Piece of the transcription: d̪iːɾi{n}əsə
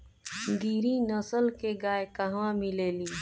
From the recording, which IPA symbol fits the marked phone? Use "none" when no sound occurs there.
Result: n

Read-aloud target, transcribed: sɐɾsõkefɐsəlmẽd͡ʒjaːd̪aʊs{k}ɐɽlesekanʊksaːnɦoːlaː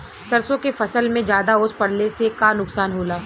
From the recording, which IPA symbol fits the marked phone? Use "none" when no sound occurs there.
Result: p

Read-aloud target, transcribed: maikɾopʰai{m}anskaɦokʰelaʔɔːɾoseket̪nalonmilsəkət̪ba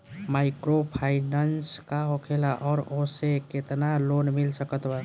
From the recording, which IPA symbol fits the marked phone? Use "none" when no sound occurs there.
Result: n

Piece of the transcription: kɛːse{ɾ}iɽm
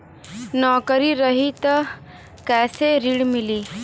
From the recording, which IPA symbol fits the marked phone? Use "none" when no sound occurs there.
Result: ɾ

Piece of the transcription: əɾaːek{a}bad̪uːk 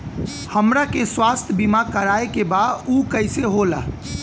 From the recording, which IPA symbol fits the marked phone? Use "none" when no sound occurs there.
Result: e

